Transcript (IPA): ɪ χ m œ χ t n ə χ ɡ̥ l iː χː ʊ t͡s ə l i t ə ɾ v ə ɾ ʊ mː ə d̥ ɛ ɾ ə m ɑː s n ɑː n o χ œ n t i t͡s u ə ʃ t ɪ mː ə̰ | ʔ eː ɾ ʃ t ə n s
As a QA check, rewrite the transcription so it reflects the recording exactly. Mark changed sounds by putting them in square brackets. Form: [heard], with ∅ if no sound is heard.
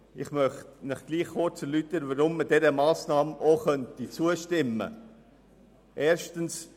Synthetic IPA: ɪ χ m œ χ t n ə χ ɡ̥ l iː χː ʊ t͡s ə l [y] t ə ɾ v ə ɾ ʊ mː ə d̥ ɛ ɾ ə m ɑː s n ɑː [m] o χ œ n t i t͡s u ə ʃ t ɪ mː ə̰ | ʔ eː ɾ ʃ t ə n s

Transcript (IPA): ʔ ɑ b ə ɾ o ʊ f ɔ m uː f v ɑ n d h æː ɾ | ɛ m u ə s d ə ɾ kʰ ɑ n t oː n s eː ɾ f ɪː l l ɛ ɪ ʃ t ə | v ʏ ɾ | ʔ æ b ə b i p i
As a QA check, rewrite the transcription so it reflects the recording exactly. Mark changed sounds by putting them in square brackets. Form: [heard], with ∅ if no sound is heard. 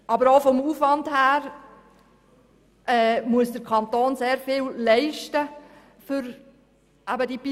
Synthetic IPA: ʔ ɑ b ə ɾ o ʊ f ɔ m uː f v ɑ n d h æː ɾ | ɛ m u ə s d ə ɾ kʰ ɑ n t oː n s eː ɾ f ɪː l l ɛ ɪ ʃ t ə | [f] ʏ ɾ | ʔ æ b ə [d] i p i

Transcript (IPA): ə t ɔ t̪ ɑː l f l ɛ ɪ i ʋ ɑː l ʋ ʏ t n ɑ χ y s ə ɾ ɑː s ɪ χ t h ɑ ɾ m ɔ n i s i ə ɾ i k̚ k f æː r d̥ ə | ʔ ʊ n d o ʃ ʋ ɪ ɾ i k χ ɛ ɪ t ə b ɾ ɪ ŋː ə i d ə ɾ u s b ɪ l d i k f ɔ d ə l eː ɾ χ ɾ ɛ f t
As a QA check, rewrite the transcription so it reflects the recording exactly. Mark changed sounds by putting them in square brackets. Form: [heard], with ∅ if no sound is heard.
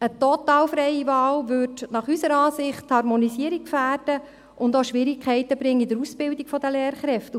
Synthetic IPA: ə t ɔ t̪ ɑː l f [ɾ] ɛ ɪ i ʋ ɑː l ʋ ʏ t n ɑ χ y s ə ɾ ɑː s ɪ χ t h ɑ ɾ m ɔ n i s i ə ɾ i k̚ k f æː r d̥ ə | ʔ ʊ n d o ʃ ʋ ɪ ɾ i k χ ɛ ɪ t ə b ɾ ɪ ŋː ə i d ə ɾ u s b ɪ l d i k f ɔ d ə l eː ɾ χ ɾ ɛ f t

